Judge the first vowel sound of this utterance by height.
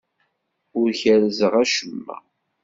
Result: high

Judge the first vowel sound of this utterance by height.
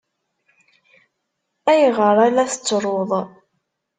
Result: low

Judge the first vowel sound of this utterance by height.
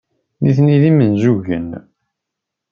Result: high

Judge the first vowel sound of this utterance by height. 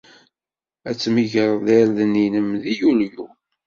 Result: low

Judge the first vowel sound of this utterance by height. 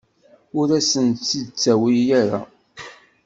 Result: high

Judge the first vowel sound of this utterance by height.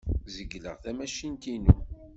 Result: mid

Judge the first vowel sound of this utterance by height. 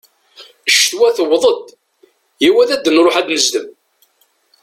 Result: low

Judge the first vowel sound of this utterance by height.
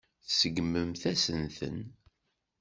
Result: mid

